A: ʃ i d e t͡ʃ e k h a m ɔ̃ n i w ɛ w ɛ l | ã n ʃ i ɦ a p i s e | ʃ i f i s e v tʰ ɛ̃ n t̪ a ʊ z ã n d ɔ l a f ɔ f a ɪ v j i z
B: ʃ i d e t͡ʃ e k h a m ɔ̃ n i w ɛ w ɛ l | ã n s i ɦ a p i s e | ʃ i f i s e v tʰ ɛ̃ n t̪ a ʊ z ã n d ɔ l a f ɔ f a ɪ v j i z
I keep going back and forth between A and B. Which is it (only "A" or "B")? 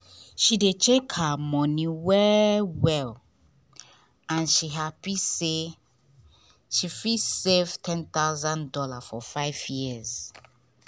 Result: A